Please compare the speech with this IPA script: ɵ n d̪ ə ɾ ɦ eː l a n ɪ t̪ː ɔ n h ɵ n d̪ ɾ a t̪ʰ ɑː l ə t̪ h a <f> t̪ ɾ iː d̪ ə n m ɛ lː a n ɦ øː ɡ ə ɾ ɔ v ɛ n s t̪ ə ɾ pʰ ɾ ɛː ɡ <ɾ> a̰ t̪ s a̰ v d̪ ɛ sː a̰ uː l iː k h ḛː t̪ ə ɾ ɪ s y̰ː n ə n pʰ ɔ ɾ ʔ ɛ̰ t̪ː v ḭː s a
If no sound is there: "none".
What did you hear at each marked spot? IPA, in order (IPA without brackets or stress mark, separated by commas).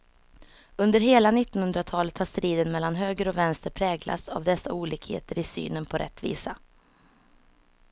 ʂ, l